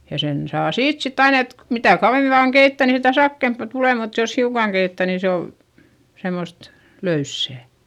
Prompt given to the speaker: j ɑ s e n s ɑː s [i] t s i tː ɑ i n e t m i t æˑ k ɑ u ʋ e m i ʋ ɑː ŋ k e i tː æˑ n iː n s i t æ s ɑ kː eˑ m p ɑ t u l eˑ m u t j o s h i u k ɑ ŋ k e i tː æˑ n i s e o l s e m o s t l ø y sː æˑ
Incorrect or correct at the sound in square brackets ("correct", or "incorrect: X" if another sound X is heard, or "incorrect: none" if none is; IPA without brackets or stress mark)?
incorrect: iː